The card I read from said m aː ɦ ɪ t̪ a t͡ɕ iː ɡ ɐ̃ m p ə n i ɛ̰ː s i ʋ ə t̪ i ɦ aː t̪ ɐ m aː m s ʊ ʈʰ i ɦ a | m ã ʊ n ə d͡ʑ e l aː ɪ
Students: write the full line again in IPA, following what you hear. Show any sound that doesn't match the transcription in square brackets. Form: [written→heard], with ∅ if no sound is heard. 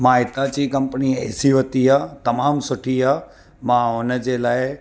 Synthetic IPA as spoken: m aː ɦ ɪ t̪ a t͡ɕ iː [ɡ→k] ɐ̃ m p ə n i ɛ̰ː s i ʋ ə t̪ i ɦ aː t̪ ɐ m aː m s ʊ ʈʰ i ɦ a | m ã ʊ n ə d͡ʑ e l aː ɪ